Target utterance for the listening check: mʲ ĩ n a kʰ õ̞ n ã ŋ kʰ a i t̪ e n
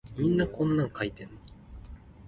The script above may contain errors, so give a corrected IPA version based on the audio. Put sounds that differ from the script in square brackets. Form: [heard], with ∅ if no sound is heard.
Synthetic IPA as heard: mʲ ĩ [nː] a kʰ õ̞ [nː] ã ŋ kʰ a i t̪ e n